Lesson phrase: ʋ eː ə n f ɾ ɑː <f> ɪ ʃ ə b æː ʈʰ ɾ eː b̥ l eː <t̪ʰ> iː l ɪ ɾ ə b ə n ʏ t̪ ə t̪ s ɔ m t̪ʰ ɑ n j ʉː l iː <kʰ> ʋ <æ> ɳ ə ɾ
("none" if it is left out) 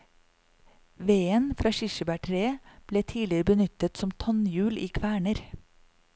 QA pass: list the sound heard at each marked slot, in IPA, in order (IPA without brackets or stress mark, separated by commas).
ʃ, t̪ʰ, kʰ, æː